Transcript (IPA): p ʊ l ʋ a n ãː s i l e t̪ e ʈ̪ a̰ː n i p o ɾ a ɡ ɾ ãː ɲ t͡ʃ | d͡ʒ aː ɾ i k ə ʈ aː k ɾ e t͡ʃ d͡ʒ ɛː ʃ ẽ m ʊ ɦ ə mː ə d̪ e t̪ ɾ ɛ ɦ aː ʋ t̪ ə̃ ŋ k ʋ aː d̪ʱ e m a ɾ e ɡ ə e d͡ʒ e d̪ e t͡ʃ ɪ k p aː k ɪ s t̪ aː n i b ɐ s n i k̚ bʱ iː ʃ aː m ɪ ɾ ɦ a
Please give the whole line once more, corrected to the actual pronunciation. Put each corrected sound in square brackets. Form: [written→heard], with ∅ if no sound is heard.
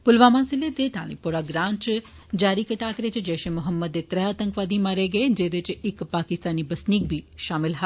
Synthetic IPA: p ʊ l ʋ a [n→m] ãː s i l e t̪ e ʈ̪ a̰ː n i p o ɾ a ɡ ɾ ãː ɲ t͡ʃ | d͡ʒ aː ɾ i k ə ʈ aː k ɾ e t͡ʃ d͡ʒ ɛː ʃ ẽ m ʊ ɦ ə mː ə d̪ e t̪ ɾ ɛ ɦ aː [ʋ→∅] t̪ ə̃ ŋ k ʋ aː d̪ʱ [e→i] m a ɾ e ɡ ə e d͡ʒ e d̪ e t͡ʃ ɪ k p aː k ɪ s t̪ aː n i b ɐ s n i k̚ bʱ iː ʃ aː m ɪ [ɾ→l] ɦ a